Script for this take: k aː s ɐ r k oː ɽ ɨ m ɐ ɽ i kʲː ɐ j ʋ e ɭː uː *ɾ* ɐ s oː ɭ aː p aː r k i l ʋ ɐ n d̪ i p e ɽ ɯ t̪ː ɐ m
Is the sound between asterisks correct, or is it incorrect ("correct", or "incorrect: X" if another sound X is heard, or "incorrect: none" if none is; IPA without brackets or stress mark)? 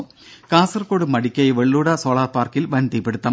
incorrect: ɽ